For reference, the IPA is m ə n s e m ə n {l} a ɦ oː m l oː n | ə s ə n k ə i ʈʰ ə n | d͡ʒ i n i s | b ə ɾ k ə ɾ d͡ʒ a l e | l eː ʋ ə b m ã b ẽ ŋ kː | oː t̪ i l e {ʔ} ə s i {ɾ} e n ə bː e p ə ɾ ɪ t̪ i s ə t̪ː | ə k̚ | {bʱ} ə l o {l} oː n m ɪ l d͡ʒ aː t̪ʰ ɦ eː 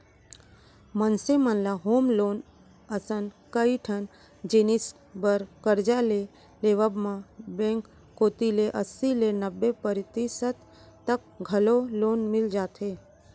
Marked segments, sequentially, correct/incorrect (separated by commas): correct, correct, incorrect, incorrect, correct